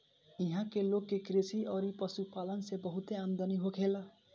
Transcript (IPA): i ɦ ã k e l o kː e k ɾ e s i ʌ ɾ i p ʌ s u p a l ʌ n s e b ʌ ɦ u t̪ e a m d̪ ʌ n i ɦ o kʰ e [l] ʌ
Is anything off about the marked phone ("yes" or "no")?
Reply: no